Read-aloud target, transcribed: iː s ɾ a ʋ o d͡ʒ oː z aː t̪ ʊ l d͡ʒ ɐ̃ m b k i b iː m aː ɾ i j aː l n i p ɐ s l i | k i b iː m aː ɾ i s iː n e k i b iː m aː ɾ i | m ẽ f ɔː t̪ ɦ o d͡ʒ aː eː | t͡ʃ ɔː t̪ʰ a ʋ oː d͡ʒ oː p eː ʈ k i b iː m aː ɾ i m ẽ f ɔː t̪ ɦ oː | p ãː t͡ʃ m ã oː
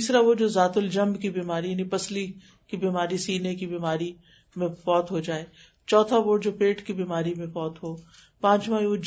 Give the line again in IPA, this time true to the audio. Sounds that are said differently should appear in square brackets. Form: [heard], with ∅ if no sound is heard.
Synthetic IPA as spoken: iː s ɾ a ʋ o d͡ʒ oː z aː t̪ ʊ l d͡ʒ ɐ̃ m b k i b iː m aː ɾ i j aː [∅] n i p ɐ s l i | k i b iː m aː ɾ i s iː n e k i b iː m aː ɾ i | m ẽ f ɔː t̪ ɦ o d͡ʒ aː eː | t͡ʃ ɔː t̪ʰ a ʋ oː d͡ʒ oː p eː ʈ k i b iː m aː ɾ i m ẽ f ɔː t̪ ɦ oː | p ãː t͡ʃ m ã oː